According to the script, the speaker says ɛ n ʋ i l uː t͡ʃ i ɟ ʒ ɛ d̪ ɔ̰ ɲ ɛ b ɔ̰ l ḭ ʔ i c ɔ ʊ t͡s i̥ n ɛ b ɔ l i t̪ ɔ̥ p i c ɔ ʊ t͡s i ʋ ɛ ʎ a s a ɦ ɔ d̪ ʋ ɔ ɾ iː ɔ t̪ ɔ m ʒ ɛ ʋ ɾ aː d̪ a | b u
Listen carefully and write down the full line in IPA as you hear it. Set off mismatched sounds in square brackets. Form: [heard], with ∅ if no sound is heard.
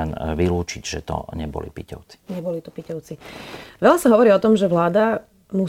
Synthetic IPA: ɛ n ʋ i l uː t͡ʃ i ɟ ʒ ɛ [t̪] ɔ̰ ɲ ɛ b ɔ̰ l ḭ [p] i c ɔ ʊ t͡s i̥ [ɲ] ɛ b ɔ l i t̪ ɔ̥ p i c ɔ ʊ t͡s i ʋ ɛ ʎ a s a ɦ ɔ [∅] ʋ ɔ ɾ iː ɔ t̪ ɔ m ʒ ɛ ʋ [l] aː d̪ a | [m] u